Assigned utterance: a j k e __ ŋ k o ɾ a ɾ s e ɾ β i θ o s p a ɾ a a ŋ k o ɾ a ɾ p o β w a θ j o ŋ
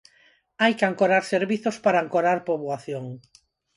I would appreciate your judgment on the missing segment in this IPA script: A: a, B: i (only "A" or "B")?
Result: A